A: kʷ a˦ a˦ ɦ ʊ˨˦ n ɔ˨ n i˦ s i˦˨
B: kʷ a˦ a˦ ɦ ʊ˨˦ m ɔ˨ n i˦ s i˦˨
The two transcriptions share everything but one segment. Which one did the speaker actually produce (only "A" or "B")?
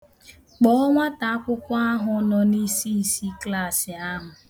A